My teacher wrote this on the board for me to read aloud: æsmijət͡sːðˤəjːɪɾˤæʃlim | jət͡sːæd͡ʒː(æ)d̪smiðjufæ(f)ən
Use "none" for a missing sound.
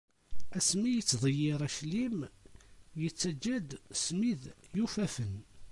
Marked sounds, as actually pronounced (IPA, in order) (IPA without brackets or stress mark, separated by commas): æ, f